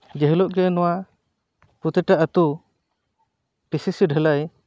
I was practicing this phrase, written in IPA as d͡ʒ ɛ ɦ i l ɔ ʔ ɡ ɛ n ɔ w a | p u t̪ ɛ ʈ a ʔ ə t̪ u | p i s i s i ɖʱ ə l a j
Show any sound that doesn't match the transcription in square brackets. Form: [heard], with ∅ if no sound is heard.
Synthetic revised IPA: d͡ʒ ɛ ɦ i l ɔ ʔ ɡ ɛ n ɔ w a | p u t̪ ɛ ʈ a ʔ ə t̪ u | p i s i s i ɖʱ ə l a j